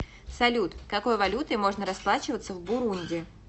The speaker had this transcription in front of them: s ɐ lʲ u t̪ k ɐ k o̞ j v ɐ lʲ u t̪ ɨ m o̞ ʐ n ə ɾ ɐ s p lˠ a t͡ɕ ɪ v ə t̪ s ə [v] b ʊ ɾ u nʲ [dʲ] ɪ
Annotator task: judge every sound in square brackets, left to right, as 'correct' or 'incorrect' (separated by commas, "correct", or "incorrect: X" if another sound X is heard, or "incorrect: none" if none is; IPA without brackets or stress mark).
correct, correct